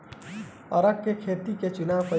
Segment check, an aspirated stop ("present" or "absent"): present